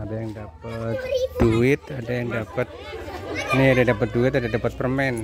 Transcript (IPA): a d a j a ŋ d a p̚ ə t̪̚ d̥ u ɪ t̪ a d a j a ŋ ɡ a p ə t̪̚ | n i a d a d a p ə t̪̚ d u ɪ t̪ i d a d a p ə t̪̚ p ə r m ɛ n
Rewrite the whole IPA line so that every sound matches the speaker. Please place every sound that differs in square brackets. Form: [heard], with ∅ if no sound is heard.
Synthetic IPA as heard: a d a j a ŋ d a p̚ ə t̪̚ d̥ u ɪ t̪ a d a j a ŋ [d] a p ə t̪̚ | n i a d a d a p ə t̪̚ d u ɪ t̪ [a] d a d a p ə t̪̚ p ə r m ɛ n